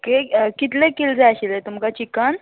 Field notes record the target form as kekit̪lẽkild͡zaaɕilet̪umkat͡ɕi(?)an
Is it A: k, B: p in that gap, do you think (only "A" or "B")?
A